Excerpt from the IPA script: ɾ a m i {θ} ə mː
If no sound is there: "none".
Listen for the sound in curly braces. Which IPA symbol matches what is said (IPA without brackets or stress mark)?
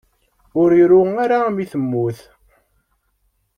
θ